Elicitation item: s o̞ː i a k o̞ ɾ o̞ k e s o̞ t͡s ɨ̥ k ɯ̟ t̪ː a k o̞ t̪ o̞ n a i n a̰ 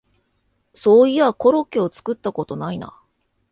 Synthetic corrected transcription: s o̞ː i a k o̞ ɾ o̞ k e o̞ t͡s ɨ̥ k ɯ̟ t̪ː a k o̞ t̪ o̞ n a i n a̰